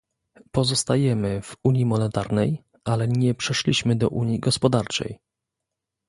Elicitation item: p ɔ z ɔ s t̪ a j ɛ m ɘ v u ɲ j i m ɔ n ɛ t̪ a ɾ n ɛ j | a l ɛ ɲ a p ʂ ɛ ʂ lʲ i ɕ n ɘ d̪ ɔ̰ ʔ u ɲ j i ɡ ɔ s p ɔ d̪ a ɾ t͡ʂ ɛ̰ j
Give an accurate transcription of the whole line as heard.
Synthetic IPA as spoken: p ɔ z ɔ s t̪ a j ɛ m ɘ v u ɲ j i m ɔ n ɛ t̪ a ɾ n ɛ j | a l ɛ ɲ ɛ p ʂ ɛ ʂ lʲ i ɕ m ɘ d̪ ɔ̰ ʔ u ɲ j i ɡ ɔ s p ɔ d̪ a ɾ t͡ʂ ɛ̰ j